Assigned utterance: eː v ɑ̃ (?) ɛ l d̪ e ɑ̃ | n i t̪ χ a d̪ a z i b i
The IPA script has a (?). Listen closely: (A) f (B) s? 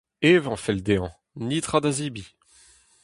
A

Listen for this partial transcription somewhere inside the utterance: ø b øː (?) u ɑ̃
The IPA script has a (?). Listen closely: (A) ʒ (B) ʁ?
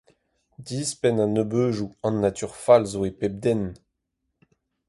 A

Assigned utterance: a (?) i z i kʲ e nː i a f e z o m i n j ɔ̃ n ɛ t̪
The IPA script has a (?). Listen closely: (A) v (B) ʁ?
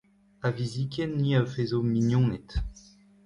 A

